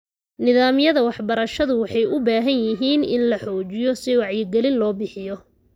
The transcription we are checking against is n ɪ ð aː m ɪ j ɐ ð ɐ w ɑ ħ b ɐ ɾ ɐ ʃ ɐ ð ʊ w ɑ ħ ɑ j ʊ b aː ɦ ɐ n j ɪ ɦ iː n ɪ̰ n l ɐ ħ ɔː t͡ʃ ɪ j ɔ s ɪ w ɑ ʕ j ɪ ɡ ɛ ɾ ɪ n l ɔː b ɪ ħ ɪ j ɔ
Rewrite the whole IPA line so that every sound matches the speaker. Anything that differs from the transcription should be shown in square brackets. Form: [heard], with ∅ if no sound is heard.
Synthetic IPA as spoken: n ɪ ð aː m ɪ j ɐ ð ɐ w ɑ ħ b ɐ ɾ ɐ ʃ ɐ ð ʊ w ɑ ħ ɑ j ʊ b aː ɦ ɐ n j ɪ ɦ iː n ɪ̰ n l ɐ ħ ɔː t͡ʃ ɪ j ɔ s ɪ w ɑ ʕ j ɪ ɡ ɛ [l] ɪ n l ɔː b ɪ ħ ɪ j ɔ